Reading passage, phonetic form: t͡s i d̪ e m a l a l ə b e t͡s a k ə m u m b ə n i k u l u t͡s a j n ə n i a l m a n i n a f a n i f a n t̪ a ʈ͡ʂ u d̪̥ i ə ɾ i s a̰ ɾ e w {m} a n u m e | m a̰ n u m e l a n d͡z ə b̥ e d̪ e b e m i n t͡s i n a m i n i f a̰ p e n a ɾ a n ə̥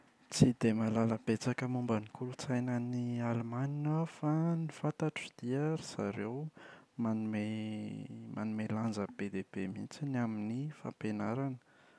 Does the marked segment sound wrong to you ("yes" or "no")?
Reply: no